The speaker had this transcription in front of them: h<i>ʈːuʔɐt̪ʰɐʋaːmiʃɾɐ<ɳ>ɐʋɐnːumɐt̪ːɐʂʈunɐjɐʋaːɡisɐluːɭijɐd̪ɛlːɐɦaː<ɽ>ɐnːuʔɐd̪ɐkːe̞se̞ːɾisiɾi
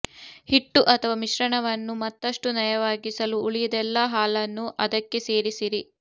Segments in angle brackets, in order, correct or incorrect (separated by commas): correct, correct, incorrect